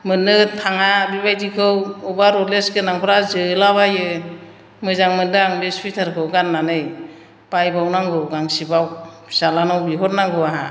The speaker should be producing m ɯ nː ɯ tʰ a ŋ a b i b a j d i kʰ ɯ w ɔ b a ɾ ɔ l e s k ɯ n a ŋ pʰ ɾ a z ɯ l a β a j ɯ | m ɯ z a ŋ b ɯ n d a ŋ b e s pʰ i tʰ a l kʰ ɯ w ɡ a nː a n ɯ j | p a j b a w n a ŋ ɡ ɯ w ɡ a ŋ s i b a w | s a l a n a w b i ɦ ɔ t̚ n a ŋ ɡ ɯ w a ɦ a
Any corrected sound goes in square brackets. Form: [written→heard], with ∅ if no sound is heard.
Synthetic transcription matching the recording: m ɯ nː ɯ tʰ a ŋ a b i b a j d i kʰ ɯ w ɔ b a ɾ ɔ l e s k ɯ n a ŋ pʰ ɾ a z ɯ l a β a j ɯ | m ɯ z a ŋ [b→m] ɯ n d a ŋ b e s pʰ i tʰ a [l→ɾ] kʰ ɯ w ɡ a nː a n ɯ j | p a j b a w n a ŋ ɡ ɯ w ɡ a ŋ s i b a w | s a l a n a w b i ɦ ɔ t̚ n a ŋ ɡ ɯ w a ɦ a